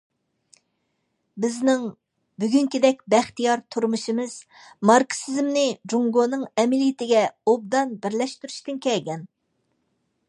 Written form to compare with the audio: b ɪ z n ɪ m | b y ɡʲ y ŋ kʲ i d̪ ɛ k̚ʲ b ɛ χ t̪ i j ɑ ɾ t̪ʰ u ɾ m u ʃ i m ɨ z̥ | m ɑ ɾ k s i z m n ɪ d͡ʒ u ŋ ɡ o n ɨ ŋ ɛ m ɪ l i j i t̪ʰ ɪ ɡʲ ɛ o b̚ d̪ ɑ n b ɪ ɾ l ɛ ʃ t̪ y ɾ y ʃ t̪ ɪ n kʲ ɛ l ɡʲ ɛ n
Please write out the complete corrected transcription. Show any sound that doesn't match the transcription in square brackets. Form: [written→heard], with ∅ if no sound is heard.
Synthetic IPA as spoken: b ɪ z n ɪ [m→ŋ] | b y ɡʲ y ŋ kʲ i d̪ ɛ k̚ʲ b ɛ χ t̪ i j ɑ ɾ t̪ʰ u ɾ m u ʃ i m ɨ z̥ | m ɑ ɾ k s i z m n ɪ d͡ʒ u ŋ ɡ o n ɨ ŋ ɛ m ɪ l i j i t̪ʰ ɪ ɡʲ ɛ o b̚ d̪ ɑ n b ɪ ɾ l ɛ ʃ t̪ y ɾ y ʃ t̪ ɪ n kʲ ɛ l ɡʲ ɛ n